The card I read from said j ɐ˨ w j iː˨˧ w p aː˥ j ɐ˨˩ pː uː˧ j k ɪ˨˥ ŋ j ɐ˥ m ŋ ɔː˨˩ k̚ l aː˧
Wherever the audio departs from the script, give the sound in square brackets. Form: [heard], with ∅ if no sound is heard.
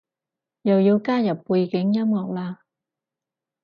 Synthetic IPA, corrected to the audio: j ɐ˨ w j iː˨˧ w [k] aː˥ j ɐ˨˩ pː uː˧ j k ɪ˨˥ ŋ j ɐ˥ m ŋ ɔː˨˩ k̚ l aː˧